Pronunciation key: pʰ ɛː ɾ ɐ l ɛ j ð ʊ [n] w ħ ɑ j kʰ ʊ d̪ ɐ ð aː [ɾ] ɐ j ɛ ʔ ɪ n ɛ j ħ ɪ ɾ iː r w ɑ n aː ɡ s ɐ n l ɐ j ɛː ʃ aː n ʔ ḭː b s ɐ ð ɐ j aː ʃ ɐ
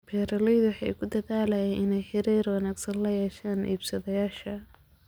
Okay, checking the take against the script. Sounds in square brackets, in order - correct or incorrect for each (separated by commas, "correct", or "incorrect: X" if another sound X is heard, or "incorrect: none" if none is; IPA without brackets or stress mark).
incorrect: none, incorrect: l